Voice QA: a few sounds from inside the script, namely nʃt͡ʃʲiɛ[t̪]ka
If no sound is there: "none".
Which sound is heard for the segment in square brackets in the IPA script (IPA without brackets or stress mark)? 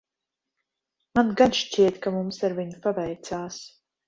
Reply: t̪